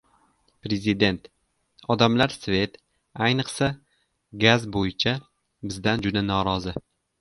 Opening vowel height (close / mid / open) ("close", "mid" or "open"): mid